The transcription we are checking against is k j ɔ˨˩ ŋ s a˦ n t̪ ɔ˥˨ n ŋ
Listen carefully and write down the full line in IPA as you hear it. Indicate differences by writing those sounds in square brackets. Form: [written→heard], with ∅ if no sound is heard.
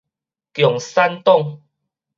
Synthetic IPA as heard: k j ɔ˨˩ ŋ s a˦ n t̪ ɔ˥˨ [n→∅] ŋ